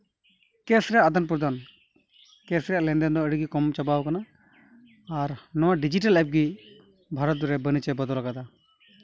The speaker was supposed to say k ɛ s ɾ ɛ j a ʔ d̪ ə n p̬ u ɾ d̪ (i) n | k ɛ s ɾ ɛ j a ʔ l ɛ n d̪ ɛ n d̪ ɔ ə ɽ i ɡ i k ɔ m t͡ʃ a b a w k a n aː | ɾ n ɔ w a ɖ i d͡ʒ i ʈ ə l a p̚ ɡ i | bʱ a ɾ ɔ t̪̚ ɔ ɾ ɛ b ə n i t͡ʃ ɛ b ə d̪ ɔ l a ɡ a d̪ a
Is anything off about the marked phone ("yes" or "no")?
yes